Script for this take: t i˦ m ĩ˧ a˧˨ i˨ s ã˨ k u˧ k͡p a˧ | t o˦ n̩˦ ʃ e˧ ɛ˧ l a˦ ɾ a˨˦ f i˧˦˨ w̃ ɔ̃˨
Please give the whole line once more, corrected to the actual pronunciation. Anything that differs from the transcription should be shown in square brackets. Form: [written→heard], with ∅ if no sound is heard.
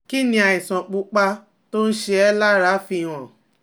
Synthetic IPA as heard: [t→k] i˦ [m→n] ĩ˧ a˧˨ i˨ s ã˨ [k→k͡p] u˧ k͡p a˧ | t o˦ n̩˦ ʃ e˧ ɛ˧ l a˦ ɾ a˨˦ f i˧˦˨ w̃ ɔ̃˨